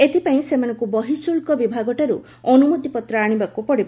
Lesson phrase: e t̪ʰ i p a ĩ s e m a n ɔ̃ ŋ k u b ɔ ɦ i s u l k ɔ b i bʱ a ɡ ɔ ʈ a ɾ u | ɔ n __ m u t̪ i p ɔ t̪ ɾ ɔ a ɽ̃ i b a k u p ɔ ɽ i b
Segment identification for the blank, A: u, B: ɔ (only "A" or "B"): A